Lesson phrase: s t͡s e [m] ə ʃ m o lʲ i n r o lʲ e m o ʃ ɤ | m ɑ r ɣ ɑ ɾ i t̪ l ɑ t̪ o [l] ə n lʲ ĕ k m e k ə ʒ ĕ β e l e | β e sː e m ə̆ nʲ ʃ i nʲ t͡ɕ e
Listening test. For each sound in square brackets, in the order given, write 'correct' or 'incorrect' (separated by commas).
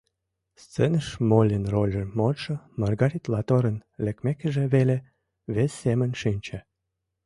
incorrect, incorrect